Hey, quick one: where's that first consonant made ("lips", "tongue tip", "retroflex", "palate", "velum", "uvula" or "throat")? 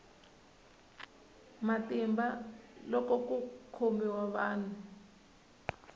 lips